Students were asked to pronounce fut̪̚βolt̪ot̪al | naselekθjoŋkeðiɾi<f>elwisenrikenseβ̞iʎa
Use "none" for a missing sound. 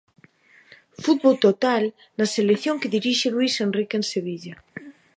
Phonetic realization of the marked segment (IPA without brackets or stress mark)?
ʃ